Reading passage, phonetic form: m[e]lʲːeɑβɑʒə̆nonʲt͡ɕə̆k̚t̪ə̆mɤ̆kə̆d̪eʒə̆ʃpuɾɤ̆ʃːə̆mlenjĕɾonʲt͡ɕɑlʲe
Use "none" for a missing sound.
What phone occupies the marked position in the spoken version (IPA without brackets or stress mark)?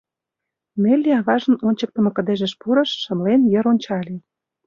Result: e